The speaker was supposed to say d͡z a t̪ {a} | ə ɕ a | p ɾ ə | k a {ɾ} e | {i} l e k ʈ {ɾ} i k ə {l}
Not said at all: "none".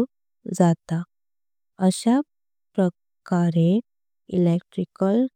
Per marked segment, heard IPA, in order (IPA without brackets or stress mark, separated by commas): a, ɾ, i, ɾ, l